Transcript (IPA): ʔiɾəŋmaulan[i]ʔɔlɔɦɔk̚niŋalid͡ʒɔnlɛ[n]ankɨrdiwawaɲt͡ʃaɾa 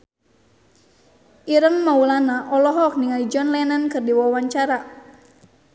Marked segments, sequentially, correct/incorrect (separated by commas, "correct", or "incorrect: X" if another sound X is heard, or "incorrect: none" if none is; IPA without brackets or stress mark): incorrect: a, correct